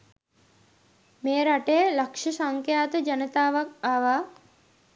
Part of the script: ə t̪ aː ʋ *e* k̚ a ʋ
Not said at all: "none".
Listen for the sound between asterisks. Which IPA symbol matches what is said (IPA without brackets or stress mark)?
a